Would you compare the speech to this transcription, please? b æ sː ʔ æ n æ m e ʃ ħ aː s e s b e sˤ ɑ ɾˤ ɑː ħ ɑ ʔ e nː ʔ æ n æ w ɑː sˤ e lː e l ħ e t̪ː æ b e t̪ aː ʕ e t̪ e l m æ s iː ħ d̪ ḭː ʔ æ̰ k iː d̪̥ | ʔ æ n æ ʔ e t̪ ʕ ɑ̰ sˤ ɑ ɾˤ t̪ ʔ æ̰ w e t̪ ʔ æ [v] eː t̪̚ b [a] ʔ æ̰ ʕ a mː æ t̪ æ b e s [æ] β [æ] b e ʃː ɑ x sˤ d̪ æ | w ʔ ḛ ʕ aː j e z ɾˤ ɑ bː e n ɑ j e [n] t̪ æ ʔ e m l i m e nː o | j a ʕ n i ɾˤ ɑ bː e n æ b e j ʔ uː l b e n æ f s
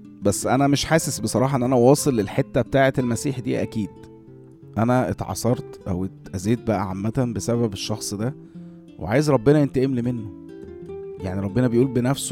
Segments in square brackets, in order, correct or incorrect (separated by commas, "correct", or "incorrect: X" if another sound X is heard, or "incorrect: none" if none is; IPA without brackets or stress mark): incorrect: z, incorrect: æ, correct, correct, correct